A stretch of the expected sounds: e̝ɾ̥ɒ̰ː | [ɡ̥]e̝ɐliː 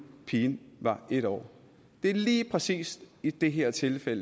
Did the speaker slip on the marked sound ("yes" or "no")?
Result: yes